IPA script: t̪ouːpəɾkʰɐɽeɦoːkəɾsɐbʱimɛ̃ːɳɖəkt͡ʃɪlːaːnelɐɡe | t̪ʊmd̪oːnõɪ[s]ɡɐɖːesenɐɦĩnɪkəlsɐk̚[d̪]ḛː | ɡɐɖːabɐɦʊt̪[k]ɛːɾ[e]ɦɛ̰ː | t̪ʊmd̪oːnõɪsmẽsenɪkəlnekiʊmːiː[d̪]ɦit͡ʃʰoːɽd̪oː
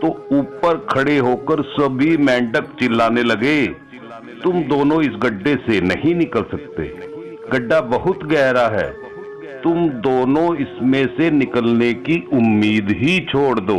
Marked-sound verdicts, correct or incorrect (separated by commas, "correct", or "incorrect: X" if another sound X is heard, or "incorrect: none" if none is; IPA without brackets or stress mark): correct, incorrect: t̪, incorrect: ɡ, incorrect: a, correct